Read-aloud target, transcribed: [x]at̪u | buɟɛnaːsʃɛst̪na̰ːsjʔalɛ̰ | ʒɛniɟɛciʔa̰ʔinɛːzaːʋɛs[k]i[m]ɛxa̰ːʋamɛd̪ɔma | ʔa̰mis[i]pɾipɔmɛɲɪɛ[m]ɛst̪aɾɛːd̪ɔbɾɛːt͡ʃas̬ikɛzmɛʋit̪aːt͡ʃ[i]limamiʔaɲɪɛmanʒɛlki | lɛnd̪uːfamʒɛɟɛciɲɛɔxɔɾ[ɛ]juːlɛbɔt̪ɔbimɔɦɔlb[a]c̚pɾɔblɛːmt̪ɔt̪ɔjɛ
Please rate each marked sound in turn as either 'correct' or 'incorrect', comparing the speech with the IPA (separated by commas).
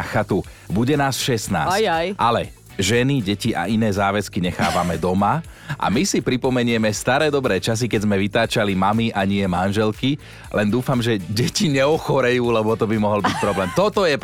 correct, correct, incorrect, correct, correct, incorrect, correct, incorrect